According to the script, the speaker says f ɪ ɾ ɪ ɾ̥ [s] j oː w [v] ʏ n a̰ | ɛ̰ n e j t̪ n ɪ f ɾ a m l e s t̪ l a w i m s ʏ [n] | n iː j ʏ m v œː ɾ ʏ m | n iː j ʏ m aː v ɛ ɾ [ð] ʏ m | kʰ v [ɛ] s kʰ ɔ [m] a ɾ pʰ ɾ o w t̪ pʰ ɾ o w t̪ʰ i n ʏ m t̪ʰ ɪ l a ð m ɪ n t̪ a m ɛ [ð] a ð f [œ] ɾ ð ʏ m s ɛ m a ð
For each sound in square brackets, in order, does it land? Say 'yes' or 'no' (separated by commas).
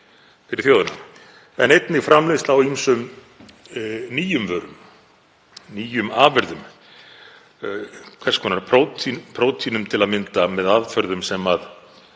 no, no, no, yes, yes, no, yes, yes